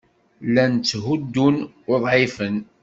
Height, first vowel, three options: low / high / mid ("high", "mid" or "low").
low